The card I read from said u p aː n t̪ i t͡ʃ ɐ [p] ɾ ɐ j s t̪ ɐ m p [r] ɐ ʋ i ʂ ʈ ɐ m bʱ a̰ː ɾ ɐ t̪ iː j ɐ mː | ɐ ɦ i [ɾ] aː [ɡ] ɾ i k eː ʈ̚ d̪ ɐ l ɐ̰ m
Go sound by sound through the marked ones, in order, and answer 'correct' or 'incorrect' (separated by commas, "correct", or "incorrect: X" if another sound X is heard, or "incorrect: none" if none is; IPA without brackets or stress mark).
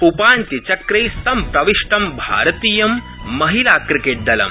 incorrect: k, incorrect: ɾ, incorrect: l, incorrect: k